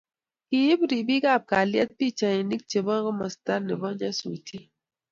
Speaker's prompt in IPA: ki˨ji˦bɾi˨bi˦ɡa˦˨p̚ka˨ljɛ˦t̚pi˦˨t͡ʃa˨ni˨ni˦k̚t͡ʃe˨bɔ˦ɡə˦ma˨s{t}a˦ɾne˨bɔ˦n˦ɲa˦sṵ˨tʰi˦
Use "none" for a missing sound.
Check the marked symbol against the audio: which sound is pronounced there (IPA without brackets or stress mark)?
t